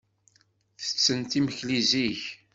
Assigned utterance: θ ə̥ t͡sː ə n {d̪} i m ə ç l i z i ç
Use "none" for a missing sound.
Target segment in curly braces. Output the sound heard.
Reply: t̪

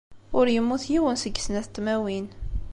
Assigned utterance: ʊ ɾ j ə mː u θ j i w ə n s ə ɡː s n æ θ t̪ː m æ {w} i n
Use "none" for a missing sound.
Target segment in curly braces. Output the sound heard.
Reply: w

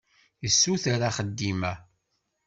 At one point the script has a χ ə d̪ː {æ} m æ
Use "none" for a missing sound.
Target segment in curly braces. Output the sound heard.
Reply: i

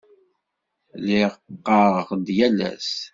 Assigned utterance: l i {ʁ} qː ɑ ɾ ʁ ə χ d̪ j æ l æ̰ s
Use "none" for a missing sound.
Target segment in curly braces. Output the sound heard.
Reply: ʁ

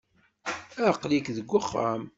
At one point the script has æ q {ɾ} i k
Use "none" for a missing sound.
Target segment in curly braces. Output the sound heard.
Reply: l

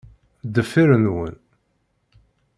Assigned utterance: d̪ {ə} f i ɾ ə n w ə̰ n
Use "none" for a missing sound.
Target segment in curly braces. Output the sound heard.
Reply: ə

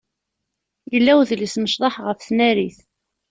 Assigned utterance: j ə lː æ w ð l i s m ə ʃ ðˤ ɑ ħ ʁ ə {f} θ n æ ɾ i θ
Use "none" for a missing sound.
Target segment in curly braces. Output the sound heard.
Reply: f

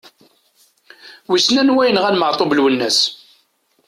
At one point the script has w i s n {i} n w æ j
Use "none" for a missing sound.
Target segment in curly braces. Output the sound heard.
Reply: æ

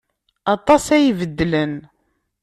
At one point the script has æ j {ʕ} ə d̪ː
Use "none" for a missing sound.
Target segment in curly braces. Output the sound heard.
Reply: v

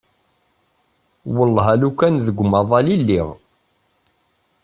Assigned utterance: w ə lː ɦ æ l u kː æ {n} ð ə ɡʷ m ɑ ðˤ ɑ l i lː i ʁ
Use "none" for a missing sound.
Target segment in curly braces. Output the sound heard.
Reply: n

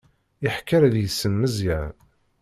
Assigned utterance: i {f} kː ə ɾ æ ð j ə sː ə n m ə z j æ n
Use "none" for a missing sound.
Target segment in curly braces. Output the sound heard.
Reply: ħ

